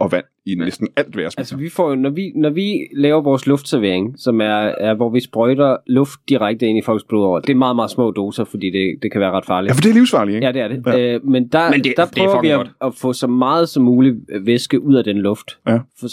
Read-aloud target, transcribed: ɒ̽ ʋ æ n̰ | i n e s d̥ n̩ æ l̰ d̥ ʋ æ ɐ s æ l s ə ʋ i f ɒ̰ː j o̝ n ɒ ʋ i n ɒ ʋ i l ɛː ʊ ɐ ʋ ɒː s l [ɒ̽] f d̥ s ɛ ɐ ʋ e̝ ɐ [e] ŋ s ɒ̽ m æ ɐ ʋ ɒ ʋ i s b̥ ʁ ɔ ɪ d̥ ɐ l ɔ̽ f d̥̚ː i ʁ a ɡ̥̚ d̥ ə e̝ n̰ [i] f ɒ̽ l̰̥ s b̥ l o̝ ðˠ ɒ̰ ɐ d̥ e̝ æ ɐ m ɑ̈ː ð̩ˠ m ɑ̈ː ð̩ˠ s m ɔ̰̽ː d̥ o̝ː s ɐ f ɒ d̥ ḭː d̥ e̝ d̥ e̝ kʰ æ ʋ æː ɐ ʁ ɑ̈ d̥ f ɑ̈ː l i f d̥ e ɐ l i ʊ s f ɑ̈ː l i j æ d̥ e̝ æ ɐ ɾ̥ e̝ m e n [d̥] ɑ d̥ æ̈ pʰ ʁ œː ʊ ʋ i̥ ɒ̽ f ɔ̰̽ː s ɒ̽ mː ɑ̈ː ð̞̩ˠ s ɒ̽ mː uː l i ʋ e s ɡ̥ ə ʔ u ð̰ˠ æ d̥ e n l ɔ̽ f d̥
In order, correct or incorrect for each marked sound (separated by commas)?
incorrect, correct, correct, correct